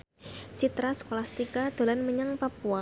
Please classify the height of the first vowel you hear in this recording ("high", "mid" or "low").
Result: high